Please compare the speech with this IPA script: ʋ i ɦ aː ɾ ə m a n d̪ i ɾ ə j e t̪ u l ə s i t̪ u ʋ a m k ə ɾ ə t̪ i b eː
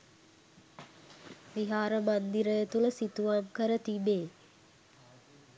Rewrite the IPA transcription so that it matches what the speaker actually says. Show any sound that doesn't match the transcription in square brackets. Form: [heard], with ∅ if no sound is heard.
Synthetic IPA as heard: ʋ i ɦ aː ɾ ə m a n d̪ i ɾ ə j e t̪ u l ə s i t̪ u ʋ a m k ə ɾ ə t̪ i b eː